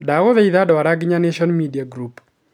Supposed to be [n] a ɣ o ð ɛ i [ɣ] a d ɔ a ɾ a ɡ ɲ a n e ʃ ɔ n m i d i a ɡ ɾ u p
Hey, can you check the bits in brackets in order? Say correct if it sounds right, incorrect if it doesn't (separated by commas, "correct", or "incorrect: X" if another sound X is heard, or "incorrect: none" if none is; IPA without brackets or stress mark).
incorrect: d, incorrect: ð